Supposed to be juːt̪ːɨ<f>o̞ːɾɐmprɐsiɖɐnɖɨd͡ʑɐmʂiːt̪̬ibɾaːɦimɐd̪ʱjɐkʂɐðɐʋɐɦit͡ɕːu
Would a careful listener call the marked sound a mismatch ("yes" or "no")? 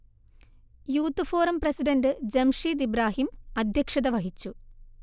no